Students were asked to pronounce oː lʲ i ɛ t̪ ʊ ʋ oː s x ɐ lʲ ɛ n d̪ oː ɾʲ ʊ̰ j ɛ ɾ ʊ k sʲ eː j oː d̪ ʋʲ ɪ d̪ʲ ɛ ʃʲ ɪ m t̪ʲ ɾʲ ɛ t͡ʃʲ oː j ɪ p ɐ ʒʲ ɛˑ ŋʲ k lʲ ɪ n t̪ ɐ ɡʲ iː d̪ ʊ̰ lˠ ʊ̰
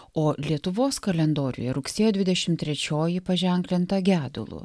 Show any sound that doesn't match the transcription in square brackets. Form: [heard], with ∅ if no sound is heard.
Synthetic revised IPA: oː lʲ i ɛ t̪ ʊ ʋ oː s [k] ɐ lʲ ɛ n d̪ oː ɾʲ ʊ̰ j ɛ ɾ ʊ k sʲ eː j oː d̪ ʋʲ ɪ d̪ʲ ɛ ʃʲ ɪ m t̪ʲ ɾʲ ɛ t͡ʃʲ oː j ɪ p ɐ ʒʲ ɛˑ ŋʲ k lʲ ɪ n t̪ ɐ ɡʲ [æː] d̪ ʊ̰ lˠ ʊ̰